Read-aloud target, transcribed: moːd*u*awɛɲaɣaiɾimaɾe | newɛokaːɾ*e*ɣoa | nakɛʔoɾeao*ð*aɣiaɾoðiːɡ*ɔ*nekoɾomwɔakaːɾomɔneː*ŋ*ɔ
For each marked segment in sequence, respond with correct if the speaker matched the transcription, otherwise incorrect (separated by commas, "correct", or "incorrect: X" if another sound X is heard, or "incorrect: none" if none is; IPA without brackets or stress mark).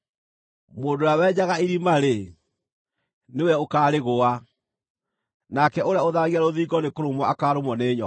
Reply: incorrect: o, correct, correct, correct, incorrect: ɲ